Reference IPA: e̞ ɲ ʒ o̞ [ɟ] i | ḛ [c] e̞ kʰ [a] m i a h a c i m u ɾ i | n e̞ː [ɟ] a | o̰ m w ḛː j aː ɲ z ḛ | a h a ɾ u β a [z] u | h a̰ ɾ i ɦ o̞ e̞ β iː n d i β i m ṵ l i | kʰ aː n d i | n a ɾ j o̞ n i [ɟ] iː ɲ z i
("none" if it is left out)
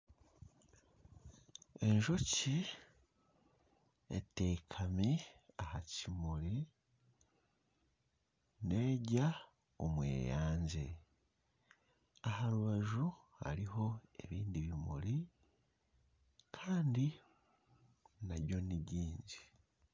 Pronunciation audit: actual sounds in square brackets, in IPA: c, t, a, ɟ, ʒ, ɟ

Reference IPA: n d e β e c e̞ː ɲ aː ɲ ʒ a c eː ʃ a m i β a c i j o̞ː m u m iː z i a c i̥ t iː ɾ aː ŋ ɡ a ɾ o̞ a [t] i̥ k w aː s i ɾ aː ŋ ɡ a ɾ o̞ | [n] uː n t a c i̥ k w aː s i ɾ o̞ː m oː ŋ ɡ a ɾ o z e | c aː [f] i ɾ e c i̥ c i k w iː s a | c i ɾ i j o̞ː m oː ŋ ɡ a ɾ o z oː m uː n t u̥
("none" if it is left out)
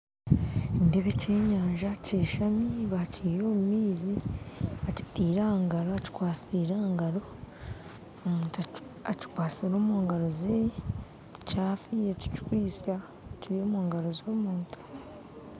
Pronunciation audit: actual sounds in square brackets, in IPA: c, m, f

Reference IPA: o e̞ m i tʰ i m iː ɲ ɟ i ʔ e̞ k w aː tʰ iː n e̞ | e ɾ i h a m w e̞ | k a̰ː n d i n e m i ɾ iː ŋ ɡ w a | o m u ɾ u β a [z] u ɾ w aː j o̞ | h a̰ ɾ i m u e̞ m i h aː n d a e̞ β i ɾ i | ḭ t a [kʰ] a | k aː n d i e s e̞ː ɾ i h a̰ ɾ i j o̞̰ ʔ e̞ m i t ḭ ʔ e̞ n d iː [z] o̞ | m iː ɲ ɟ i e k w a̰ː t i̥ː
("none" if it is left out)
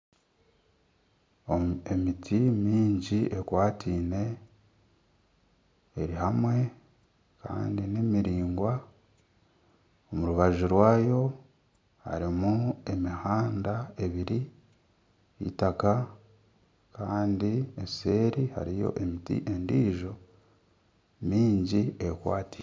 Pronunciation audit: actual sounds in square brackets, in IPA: ʒ, k, ʒ

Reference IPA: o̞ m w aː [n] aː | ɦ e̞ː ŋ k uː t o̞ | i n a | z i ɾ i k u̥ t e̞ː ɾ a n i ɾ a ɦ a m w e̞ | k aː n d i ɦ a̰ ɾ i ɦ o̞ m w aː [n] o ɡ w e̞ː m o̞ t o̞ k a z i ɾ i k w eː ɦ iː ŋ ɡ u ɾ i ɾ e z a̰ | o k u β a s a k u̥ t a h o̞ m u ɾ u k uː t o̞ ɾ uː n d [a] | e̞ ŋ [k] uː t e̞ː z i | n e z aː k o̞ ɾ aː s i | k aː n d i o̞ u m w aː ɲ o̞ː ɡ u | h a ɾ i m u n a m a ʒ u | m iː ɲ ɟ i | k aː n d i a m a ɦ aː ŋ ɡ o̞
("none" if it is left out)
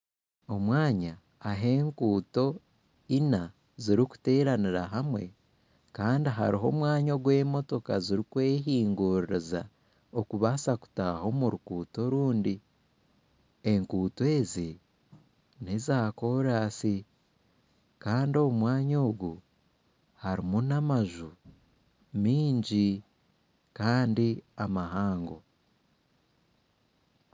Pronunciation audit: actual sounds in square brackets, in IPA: ɲ, ɲ, i, k

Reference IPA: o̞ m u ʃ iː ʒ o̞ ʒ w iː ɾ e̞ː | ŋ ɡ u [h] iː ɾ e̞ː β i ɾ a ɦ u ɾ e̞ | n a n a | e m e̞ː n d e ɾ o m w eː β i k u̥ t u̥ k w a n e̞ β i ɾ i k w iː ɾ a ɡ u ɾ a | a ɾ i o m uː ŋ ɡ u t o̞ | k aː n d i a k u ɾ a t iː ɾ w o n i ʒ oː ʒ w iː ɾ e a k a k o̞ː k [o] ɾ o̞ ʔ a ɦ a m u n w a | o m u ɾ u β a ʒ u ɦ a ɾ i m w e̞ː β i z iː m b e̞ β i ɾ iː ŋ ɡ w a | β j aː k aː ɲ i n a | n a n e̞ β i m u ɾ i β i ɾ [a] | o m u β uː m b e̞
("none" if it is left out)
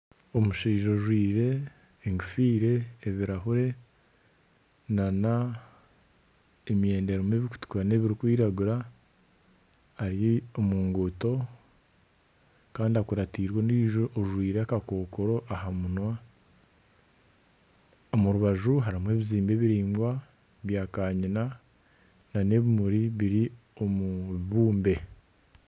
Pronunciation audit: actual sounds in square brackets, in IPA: f, o, i

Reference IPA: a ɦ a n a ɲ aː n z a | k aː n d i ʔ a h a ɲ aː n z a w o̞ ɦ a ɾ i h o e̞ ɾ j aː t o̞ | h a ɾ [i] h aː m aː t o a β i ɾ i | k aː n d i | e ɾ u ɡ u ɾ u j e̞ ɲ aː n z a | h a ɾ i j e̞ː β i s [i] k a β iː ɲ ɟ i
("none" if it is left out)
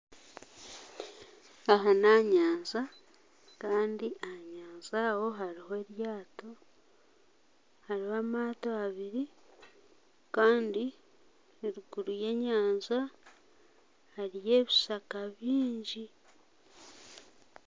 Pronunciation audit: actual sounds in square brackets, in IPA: i, a

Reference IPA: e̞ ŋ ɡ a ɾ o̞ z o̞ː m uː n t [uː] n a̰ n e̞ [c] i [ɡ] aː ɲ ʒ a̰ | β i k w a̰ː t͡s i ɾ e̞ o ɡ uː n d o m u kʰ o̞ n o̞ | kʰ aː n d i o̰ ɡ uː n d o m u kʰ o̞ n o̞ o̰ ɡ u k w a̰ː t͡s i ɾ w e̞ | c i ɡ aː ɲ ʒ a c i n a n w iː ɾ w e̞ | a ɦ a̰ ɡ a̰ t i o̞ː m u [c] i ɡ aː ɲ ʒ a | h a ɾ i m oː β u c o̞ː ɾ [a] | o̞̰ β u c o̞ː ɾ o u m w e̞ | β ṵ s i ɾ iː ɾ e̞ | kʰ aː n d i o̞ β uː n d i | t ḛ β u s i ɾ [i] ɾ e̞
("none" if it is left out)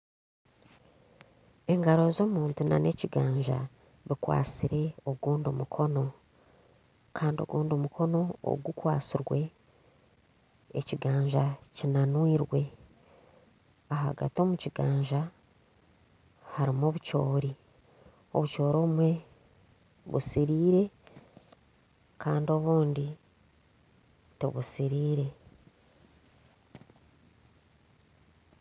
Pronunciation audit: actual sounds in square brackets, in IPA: u, c, ɡ, c, i, iː

